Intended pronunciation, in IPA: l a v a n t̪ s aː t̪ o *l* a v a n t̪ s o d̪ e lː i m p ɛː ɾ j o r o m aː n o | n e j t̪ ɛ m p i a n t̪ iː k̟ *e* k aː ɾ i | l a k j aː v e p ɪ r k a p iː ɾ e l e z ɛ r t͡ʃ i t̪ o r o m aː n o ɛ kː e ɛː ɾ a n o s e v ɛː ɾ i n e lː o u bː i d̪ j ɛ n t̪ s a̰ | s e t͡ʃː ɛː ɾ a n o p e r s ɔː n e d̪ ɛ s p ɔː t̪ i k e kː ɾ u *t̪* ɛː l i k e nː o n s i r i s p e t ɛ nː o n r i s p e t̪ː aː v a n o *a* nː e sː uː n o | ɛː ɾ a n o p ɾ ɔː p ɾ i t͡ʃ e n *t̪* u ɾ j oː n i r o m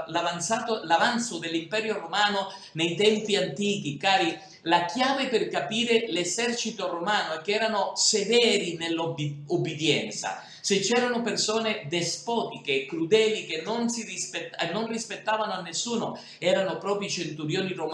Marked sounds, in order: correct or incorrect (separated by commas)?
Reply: correct, incorrect, incorrect, correct, correct